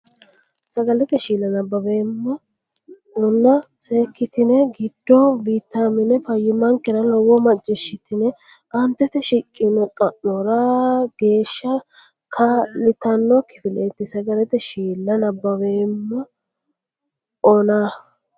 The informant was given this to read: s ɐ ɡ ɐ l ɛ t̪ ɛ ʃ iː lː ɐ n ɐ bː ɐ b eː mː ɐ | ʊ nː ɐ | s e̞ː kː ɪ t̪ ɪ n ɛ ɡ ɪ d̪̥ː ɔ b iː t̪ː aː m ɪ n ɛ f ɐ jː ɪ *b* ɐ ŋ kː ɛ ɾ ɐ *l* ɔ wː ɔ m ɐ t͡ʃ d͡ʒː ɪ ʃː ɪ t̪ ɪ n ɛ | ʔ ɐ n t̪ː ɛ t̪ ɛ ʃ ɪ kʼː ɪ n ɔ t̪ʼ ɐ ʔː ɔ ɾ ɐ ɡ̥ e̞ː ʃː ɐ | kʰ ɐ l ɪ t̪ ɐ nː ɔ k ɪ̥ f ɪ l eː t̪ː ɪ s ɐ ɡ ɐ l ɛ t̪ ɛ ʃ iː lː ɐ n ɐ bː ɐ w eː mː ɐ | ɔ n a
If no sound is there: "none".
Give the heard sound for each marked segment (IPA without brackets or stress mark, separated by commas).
m, l